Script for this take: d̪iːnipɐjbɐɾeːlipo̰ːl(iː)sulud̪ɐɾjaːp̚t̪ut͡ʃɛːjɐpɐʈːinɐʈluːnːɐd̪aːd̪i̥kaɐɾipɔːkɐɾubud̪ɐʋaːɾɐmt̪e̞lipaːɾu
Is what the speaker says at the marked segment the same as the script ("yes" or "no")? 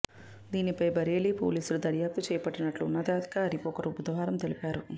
yes